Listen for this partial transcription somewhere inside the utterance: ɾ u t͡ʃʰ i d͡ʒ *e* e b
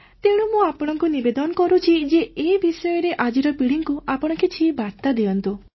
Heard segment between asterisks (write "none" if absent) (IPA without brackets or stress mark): e